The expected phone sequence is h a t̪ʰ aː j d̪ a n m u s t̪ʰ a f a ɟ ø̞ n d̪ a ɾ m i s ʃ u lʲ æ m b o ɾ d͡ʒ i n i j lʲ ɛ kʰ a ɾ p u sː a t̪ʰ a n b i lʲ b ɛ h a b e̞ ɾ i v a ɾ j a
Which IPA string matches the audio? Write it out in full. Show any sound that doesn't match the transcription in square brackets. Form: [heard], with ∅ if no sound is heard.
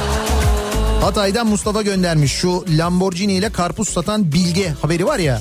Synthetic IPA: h a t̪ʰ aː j d̪ a n m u s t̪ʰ a f a ɟ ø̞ n d̪ [æ] ɾ m i [ʃ] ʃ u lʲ [a] m b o ɾ d͡ʒ i n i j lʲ ɛ kʰ a ɾ p u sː a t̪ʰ a n b i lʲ [ɟ] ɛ h a b e̞ ɾ i v a ɾ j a